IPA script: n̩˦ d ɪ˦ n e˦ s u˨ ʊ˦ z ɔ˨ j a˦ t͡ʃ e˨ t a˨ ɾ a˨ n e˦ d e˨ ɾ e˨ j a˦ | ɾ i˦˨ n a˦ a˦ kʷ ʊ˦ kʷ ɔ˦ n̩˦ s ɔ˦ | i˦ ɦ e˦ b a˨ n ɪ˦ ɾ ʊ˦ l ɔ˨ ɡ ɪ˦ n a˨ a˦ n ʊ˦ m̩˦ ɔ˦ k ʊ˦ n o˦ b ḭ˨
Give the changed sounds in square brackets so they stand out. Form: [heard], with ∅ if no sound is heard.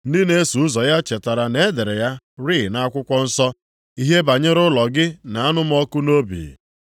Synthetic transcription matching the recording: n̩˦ d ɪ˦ n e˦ s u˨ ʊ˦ z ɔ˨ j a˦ t͡ʃ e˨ t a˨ ɾ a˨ n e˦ d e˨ ɾ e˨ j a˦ | ɾ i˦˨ n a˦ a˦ kʷ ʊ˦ kʷ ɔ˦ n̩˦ s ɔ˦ | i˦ ɦ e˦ b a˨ [ɲ] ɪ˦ ɾ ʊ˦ l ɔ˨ ɡ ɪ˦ n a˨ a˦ n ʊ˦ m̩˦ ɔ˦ k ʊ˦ n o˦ b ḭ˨